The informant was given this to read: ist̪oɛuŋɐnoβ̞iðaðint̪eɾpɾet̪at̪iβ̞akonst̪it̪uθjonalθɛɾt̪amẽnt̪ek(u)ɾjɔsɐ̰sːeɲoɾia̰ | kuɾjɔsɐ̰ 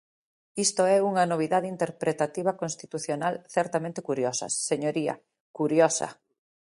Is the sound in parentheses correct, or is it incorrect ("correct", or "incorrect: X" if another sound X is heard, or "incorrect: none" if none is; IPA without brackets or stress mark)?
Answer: correct